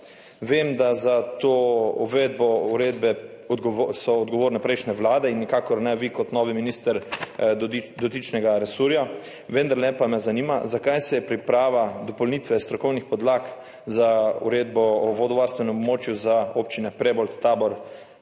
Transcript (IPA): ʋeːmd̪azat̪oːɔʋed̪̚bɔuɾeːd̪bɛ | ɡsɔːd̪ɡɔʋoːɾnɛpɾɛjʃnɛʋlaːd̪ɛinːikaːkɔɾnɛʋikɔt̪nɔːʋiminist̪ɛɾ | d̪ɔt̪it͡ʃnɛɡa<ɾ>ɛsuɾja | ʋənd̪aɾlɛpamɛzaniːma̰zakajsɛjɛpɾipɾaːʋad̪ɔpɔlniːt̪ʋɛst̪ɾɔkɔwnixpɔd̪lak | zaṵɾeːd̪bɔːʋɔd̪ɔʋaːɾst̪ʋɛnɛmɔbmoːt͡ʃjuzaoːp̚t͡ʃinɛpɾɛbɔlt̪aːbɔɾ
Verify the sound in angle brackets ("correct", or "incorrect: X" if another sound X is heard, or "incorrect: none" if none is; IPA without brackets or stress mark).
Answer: correct